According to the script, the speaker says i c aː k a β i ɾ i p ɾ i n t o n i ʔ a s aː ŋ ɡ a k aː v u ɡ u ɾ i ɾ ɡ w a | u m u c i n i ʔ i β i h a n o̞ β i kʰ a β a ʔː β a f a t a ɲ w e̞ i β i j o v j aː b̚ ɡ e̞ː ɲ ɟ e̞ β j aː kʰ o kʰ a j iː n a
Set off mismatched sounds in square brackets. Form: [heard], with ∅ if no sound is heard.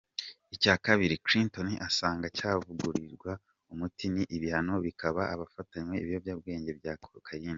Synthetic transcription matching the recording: i c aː k a β i ɾ i [k] ɾ i n t o n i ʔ a s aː ŋ ɡ a [c] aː v u ɡ u ɾ i ɾ ɡ w a | u m u [t] i n i ʔ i β i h a n o̞ β i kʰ a β a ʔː β a f a t a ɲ w e̞ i β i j o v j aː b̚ ɡ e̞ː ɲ ɟ e̞ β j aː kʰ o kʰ a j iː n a